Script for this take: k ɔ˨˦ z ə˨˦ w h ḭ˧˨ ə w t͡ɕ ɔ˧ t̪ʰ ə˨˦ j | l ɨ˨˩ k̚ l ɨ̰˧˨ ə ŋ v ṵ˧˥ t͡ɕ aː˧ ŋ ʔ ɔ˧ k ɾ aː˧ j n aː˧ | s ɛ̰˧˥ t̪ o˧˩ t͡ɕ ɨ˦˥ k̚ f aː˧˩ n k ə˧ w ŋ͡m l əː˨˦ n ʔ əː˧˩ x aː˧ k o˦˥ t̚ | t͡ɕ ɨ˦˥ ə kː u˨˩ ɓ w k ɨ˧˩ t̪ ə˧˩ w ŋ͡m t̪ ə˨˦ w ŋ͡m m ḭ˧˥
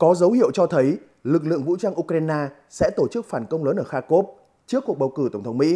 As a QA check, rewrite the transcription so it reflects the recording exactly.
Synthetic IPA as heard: k ɔ˨˦ z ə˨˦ w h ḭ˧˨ ə w t͡ɕ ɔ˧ t̪ʰ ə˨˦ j | l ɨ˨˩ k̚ l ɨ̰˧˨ ə ŋ v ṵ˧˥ t͡ɕ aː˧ ŋ ʔ u˧ k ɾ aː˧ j n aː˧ | s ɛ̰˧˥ t̪ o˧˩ t͡ɕ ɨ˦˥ k̚ f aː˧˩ n k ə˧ w ŋ͡m l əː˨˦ n ʔ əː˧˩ x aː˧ k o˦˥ p̚ | t͡ɕ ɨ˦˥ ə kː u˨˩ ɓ w k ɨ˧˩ t̪ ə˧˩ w ŋ͡m t̪ʰ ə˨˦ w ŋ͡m m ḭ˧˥